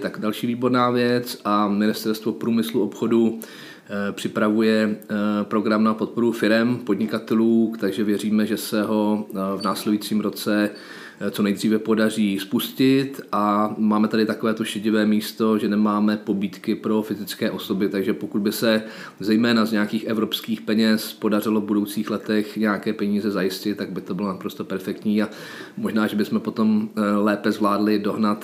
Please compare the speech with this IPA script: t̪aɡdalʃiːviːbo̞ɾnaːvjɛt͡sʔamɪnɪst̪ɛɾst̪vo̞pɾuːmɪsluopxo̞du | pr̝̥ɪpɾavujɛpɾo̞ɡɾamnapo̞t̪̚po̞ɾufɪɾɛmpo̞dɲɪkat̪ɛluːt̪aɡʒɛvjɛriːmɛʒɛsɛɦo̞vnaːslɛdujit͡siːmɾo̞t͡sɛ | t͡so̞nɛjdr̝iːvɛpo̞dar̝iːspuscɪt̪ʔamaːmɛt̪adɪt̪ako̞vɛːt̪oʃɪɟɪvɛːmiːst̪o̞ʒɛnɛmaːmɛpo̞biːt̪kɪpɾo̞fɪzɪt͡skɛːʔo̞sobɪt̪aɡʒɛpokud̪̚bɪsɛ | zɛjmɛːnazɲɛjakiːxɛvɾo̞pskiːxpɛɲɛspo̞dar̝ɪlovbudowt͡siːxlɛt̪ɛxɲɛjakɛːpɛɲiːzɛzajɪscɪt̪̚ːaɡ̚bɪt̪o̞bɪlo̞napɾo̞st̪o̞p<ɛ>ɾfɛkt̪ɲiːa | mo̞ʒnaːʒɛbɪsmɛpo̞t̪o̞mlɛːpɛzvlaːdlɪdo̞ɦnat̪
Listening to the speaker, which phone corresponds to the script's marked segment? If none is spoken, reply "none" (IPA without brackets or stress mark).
ɛ